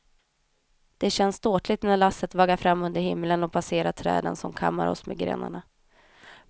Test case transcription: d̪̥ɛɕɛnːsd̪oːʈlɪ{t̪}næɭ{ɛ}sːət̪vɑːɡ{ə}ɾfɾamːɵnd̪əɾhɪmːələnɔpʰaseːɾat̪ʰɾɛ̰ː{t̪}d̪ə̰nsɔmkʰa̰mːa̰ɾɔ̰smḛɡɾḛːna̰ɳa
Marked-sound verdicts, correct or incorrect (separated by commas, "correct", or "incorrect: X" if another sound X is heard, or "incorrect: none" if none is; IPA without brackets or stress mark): correct, incorrect: a, incorrect: a, incorrect: none